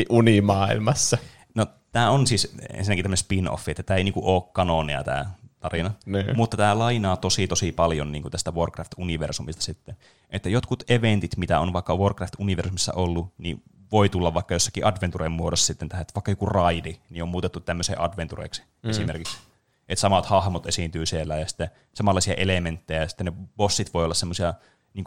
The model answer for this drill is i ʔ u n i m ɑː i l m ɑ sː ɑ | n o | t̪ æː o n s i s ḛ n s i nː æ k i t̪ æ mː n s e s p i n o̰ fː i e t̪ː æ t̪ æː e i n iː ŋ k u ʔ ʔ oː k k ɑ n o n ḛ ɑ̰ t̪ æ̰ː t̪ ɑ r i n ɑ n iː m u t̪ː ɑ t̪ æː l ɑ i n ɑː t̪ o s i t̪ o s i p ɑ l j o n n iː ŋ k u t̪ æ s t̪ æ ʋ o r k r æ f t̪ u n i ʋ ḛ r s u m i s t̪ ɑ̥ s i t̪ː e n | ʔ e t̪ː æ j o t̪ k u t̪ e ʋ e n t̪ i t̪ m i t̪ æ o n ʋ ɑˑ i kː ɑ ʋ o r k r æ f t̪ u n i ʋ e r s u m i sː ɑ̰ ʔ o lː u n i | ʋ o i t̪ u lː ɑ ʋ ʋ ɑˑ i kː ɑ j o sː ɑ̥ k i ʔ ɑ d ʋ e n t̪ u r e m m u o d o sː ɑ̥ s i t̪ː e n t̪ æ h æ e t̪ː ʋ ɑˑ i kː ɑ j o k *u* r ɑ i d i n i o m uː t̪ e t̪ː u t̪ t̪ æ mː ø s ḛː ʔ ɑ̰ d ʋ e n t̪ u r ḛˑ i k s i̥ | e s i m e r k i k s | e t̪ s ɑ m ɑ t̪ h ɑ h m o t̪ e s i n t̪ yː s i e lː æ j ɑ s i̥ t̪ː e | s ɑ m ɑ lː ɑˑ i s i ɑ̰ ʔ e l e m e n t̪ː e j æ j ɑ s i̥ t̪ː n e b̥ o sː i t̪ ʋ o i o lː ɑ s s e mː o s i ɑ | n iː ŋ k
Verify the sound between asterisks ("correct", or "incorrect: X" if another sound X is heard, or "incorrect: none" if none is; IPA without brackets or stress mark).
correct